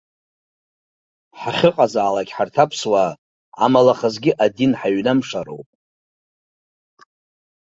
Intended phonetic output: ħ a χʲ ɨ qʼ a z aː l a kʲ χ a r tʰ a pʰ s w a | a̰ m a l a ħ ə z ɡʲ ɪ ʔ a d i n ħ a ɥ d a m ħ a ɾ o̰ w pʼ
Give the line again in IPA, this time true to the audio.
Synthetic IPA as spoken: ħ a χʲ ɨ qʼ a z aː l a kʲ ħ a r tʰ a pʰ s w a | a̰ m a l a χ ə z ɡʲ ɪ ʔ a d i n ħ a ɥ n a m ʂ a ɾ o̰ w pʼ